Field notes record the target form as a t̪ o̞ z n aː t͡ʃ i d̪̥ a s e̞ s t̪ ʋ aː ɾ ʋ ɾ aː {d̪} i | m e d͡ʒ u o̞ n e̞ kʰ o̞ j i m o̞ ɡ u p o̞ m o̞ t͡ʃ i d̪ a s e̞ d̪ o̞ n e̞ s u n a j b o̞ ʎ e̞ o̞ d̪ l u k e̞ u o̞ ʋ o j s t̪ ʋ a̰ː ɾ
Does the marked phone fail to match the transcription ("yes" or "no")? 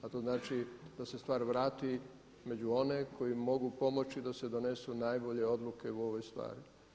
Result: yes